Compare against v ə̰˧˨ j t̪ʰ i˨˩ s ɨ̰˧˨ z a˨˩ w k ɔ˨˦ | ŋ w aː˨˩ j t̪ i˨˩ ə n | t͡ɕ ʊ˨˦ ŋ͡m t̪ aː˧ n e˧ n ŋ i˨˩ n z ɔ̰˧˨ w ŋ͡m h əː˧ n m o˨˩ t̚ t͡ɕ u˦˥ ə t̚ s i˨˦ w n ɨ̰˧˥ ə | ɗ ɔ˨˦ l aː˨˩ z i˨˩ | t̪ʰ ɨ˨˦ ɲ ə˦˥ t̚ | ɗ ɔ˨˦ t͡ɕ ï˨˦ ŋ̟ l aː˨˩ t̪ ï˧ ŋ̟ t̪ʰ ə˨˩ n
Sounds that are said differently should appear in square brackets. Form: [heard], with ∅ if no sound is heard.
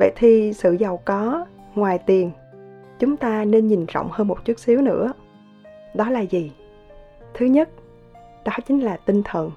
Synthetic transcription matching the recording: v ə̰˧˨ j t̪ʰ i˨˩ s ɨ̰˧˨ z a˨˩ w k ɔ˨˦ | ŋ w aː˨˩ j t̪ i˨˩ ə n | t͡ɕ ʊ˨˦ ŋ͡m t̪ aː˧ n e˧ n [ɲ] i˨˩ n z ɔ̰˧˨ w ŋ͡m h əː˧ n m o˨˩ t̚ t͡ɕ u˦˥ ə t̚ s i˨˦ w n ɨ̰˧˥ ə | ɗ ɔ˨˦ l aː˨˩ z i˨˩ | t̪ʰ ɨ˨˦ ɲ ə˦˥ t̚ | ɗ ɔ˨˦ t͡ɕ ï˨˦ ŋ̟ l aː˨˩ t̪ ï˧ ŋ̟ t̪ʰ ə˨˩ n